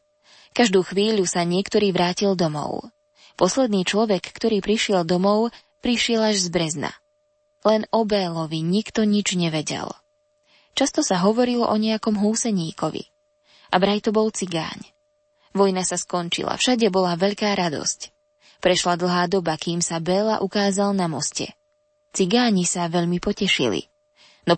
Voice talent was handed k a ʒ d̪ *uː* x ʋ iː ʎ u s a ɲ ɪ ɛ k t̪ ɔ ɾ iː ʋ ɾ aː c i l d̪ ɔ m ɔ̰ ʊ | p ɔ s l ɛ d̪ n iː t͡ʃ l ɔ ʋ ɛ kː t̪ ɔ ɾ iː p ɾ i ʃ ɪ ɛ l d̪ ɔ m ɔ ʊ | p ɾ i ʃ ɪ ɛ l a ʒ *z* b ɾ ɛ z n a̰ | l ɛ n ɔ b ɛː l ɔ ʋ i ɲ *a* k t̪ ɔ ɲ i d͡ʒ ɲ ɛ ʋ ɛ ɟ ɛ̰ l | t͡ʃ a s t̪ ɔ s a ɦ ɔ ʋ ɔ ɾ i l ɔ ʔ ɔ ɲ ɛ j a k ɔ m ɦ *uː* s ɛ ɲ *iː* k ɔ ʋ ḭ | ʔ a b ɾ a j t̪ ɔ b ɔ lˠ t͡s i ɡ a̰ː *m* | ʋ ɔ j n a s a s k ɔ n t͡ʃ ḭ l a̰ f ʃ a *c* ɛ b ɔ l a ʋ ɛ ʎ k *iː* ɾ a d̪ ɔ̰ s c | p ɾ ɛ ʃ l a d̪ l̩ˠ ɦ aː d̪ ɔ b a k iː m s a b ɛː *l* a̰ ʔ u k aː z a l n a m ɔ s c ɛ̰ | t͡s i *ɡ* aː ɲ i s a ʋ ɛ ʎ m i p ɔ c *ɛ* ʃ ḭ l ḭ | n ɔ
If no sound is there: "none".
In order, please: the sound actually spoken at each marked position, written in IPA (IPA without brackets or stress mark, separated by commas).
uː, z, i, uː, iː, ɲ, ɟ, aː, l, ɡ, ɛ